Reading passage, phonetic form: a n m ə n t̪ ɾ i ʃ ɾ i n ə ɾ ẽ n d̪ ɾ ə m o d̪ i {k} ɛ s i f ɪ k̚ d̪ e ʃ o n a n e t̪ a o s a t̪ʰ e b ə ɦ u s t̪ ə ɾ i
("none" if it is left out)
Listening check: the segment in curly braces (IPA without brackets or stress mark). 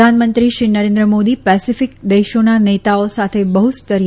p